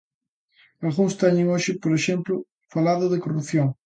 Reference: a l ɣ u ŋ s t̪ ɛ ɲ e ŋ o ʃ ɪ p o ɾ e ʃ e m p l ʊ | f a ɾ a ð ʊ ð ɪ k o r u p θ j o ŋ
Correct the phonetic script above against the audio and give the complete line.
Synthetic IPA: a l ɣ u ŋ s t̪ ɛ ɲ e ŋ o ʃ ɪ p o ɾ e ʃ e m p l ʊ | f a l a ð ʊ ð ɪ k o r u p θ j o ŋ